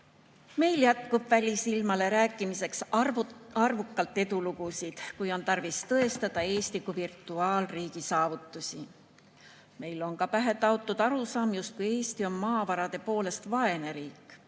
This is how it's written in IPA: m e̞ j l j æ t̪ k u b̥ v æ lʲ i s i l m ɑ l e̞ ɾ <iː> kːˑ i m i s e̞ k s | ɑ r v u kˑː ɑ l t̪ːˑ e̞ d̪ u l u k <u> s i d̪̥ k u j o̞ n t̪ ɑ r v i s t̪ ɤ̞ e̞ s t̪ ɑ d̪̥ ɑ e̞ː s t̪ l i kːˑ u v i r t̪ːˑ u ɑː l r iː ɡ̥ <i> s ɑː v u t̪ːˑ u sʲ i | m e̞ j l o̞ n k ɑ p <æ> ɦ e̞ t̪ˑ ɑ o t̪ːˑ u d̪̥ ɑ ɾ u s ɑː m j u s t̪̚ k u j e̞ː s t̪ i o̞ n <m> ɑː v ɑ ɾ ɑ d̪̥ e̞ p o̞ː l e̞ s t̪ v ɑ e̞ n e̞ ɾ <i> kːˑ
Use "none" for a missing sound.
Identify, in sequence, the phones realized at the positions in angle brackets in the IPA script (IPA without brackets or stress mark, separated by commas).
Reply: æː, u, i, æ, m, iː